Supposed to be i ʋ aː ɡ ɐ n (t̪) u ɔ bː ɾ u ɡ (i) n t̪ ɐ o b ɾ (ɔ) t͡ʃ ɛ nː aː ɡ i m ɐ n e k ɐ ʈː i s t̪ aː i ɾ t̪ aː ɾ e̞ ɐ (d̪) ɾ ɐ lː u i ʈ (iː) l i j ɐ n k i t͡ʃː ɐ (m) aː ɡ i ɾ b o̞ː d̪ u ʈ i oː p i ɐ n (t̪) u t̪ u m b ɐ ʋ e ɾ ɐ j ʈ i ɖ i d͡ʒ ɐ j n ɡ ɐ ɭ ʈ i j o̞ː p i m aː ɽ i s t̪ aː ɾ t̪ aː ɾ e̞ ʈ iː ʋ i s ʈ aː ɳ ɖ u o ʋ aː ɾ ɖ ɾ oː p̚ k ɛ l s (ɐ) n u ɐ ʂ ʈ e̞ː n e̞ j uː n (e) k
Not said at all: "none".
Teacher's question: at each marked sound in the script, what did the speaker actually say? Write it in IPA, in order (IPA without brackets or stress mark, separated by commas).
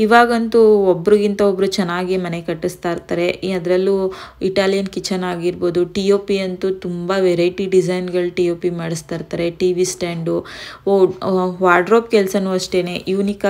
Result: t̪, i, u, d̪, aː, n, t̪, ɐ, i